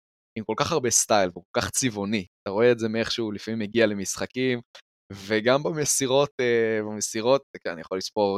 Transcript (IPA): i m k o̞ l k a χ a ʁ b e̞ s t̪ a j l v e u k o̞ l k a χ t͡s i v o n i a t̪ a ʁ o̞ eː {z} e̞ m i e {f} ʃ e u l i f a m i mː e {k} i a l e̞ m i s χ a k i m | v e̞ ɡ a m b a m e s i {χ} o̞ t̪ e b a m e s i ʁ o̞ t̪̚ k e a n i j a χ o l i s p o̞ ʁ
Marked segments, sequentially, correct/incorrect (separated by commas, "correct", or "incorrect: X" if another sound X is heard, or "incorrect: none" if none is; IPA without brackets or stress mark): correct, incorrect: χ, incorrect: ɡ, incorrect: ʁ